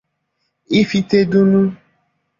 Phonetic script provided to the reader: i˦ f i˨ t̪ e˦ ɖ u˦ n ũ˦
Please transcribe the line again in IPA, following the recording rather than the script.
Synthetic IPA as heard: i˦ f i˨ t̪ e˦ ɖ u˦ n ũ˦